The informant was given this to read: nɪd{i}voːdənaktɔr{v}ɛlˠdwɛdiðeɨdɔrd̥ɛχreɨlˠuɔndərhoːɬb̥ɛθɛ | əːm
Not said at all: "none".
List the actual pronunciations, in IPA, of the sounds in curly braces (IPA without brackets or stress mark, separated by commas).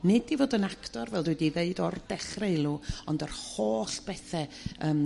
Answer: i, v